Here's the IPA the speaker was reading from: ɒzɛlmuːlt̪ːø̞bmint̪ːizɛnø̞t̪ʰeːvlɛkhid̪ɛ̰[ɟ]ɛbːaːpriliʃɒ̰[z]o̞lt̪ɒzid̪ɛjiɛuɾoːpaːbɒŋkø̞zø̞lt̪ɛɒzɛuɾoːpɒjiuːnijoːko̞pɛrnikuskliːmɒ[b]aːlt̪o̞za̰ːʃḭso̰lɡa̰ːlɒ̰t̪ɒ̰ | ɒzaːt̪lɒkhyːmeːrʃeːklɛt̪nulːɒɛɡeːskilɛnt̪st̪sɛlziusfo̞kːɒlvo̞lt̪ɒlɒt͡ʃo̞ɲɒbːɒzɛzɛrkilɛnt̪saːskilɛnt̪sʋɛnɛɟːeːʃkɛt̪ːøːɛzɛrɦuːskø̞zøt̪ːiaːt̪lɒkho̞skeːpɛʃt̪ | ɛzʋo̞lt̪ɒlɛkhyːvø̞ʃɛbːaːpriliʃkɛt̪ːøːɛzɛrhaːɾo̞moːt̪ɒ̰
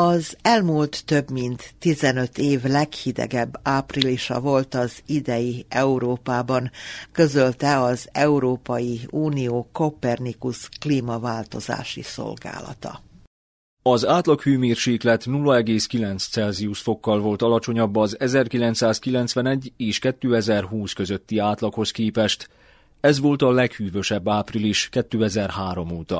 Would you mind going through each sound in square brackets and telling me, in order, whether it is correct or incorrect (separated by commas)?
incorrect, incorrect, incorrect